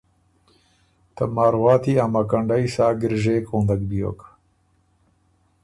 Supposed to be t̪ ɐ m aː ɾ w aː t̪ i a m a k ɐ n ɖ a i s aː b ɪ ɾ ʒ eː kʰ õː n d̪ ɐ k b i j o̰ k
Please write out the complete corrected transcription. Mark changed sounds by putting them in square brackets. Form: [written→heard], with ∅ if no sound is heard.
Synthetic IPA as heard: t̪ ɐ m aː ɾ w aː t̪ i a m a k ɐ [n→ɳ] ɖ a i s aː [b→ɡ] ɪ ɾ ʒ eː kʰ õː n d̪ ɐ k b i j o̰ k